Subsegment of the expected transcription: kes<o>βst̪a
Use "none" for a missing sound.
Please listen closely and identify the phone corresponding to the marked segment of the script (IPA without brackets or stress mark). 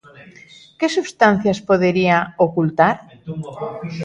u